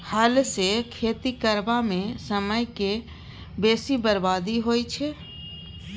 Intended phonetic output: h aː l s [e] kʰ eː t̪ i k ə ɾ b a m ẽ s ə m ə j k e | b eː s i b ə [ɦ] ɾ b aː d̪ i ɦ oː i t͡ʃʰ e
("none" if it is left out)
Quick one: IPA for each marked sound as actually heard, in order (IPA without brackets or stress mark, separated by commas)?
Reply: e, none